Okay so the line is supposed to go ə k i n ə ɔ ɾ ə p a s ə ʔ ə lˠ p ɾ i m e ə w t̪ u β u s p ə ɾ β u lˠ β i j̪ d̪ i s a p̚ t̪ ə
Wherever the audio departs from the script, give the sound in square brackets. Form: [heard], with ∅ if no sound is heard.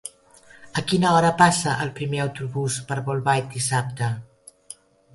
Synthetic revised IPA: ə k i n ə ɔ ɾ ə p a s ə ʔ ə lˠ p ɾ i m e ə w t̪ u β u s p ə ɾ β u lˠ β [a] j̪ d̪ i s a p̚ t̪ ə